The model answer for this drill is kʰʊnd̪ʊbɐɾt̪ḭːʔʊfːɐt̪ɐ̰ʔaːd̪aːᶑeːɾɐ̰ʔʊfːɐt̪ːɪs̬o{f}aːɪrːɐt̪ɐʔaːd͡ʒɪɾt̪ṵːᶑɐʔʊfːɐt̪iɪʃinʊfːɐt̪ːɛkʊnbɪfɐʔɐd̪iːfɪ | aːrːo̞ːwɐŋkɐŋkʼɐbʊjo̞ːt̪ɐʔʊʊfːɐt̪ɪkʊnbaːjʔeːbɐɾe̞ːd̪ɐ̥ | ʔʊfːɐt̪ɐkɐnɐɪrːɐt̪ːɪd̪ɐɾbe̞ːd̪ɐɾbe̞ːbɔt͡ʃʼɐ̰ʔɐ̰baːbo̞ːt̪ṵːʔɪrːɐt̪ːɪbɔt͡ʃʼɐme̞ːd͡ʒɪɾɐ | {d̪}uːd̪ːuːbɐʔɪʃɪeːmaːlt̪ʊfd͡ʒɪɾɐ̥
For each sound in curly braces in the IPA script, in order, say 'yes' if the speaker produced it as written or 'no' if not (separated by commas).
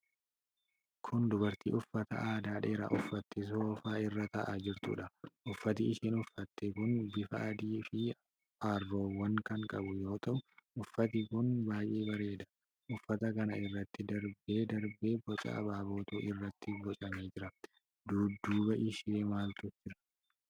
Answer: yes, yes